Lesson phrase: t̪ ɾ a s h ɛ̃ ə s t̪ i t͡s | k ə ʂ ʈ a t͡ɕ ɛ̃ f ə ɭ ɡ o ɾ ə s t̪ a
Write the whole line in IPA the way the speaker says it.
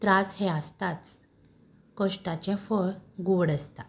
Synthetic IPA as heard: t̪ ɾ a s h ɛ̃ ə s t̪ a t͡s | k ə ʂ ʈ a t͡ɕ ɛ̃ f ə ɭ ɡ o ɽ ə s t̪ a